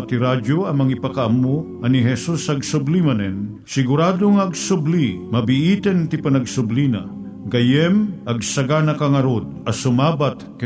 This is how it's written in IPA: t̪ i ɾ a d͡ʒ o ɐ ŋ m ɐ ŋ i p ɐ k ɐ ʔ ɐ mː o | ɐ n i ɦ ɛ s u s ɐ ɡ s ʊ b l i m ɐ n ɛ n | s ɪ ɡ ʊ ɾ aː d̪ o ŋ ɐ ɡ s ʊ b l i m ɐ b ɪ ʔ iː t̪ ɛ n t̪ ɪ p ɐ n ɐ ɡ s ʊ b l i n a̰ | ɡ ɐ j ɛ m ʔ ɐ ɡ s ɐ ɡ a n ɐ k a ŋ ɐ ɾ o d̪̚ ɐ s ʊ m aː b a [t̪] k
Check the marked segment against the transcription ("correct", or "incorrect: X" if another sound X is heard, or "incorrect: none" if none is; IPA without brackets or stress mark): correct